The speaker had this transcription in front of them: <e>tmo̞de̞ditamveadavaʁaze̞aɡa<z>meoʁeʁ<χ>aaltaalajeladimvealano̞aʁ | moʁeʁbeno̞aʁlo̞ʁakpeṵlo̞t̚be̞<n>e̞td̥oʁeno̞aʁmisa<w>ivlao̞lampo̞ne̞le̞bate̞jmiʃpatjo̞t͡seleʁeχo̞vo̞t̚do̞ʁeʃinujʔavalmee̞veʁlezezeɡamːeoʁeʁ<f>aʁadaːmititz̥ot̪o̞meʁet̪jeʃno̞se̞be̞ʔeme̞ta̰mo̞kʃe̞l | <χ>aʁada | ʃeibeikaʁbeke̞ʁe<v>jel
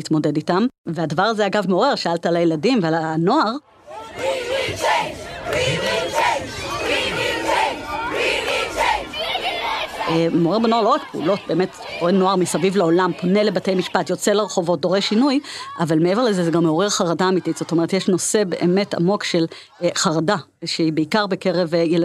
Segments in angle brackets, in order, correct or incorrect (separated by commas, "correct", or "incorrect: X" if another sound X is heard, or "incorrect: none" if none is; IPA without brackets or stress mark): incorrect: i, incorrect: v, incorrect: ʃ, incorrect: m, incorrect: v, incorrect: χ, correct, correct